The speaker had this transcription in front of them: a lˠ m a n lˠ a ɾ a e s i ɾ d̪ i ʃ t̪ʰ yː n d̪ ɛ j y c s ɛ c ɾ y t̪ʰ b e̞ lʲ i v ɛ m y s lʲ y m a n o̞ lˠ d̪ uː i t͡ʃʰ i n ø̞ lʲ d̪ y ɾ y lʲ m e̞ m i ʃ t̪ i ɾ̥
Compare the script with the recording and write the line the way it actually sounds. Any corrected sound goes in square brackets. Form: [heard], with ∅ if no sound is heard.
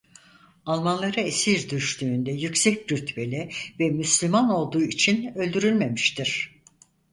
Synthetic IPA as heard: a lˠ m a n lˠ a ɾ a e s i ɾ d̪ [y] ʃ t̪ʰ yː n d̪ ɛ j y c s ɛ c ɾ y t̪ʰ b e̞ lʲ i v ɛ m y s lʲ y m a n o̞ lˠ d̪ uː i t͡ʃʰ i n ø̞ lʲ d̪ y ɾ y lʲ m e̞ m i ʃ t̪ i ɾ̥

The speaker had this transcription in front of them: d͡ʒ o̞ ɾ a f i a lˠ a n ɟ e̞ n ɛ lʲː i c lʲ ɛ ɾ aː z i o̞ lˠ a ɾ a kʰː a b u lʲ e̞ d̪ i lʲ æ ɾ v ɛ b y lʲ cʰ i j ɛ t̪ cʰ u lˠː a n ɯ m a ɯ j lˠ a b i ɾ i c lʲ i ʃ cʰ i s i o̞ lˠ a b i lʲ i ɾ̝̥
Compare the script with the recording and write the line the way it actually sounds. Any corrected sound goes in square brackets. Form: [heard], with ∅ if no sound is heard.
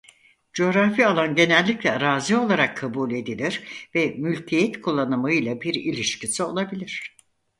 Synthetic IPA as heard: d͡ʒ o̞ ɾ a f i a lˠ a n ɟ e̞ n ɛ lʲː i c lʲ ɛ ɾ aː z i o̞ lˠ a ɾ a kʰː a b u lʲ e̞ d̪ i lʲ [i] ɾ v ɛ [m] y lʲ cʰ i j ɛ t̪ [kʰ] u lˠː a n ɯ m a ɯ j lˠ a b i ɾ i [∅] lʲ i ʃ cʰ i s i o̞ lˠ a b i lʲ i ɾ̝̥

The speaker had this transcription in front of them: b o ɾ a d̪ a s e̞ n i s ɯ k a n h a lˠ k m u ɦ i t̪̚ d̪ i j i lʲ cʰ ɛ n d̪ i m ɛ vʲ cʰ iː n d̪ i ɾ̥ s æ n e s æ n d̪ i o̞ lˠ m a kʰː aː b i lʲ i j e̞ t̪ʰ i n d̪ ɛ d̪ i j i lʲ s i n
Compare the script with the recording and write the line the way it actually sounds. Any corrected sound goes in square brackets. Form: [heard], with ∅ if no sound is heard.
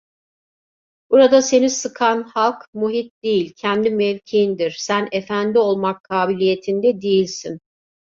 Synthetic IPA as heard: b [u] ɾ a d̪ a s e̞ n i s ɯ [kʰ] a n h a lˠ k m u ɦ i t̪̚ d̪ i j i lʲ cʰ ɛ n d̪ i m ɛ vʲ cʰ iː n d̪ i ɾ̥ s æ n e [f] æ n d̪ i o̞ lˠ m a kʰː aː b i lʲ i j e̞ t̪ʰ i n d̪ ɛ d̪ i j i lʲ s i n

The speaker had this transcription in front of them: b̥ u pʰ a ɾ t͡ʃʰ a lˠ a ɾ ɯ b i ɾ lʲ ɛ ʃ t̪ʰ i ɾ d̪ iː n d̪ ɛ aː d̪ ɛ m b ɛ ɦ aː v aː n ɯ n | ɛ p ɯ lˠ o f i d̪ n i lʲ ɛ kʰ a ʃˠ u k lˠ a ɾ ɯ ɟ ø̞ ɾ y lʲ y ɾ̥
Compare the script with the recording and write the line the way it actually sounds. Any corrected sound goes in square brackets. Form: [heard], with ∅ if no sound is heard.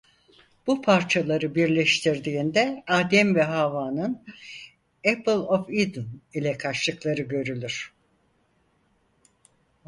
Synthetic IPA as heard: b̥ u pʰ a ɾ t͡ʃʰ a lˠ a ɾ ɯ b i ɾ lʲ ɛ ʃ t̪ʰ i ɾ d̪ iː n d̪ ɛ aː d̪ ɛ m [v] ɛ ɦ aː v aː n ɯ n | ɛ p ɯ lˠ o f i d̪ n i lʲ ɛ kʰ a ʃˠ [ɯ] k lˠ a ɾ ɯ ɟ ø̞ ɾ y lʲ y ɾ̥

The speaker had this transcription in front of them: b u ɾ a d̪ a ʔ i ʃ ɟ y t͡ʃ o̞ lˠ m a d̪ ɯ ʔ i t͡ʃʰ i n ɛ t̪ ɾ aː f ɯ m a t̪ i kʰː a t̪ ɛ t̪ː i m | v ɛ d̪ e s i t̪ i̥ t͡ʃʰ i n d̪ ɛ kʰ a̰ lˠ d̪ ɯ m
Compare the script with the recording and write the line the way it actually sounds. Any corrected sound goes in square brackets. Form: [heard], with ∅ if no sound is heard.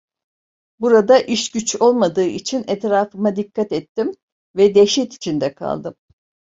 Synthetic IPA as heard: b u ɾ a d̪ a ʔ i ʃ ɟ y t͡ʃ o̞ lˠ m a d̪ [ɯː] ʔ i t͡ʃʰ i n ɛ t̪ ɾ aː f ɯ m a [d̪] i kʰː a t̪ ɛ t̪ː i m | v ɛ d̪ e [ʃ] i t̪ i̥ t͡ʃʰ i n d̪ ɛ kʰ a̰ lˠ d̪ ɯ m

